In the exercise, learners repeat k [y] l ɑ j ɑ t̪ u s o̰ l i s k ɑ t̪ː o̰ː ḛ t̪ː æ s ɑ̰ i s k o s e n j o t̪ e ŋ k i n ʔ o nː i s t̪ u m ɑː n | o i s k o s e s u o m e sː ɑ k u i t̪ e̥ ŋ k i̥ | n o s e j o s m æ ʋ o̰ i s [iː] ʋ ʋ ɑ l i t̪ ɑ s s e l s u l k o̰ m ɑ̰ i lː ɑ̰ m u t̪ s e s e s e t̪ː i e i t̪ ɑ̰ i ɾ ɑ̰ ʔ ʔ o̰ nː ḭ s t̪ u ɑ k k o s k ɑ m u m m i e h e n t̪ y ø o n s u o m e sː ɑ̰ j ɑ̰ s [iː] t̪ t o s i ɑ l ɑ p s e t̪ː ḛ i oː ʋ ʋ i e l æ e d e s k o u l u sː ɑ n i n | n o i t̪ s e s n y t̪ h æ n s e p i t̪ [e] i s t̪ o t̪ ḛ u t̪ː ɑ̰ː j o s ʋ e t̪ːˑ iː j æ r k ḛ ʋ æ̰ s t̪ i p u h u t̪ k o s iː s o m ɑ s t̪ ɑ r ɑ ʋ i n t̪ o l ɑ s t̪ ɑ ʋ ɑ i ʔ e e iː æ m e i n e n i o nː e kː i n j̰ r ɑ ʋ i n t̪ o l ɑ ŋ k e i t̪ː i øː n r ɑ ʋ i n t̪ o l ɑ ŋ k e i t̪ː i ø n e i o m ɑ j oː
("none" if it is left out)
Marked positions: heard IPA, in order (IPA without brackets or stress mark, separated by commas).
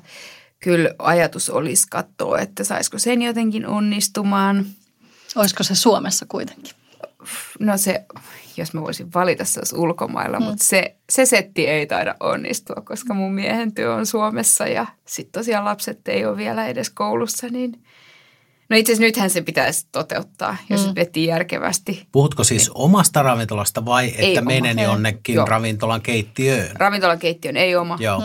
y, i, i, æ